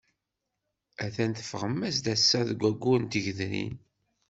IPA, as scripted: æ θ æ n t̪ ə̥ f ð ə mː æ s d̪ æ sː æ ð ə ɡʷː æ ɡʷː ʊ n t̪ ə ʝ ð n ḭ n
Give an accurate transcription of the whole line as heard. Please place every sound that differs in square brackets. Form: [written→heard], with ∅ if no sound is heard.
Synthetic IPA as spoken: æ θ æ n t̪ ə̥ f [ð→ʁ] ə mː æ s d̪ æ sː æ ð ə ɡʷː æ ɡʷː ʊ n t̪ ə ʝ ð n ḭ n